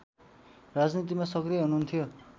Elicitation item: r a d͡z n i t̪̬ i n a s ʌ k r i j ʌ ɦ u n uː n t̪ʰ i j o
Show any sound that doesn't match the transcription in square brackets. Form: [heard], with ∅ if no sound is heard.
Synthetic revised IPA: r a d͡z n i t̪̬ i [m] a s ʌ k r i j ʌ ɦ u n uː n t̪ʰ i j o